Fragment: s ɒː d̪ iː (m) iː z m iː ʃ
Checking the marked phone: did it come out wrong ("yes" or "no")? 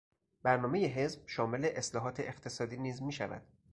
yes